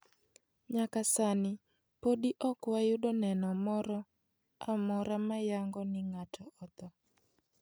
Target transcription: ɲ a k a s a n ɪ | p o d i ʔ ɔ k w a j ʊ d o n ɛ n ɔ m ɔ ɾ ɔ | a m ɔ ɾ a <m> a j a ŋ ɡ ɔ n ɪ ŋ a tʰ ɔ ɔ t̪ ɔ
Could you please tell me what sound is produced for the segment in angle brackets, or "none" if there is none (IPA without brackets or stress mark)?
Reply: m